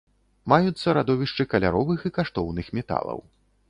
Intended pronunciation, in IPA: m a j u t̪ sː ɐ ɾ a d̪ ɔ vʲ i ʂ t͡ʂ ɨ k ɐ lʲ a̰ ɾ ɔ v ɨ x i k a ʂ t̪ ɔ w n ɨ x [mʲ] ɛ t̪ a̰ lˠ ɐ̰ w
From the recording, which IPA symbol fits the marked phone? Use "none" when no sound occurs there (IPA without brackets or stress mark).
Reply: mʲ